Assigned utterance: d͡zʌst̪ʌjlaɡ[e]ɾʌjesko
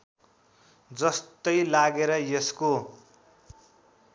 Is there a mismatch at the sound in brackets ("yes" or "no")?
no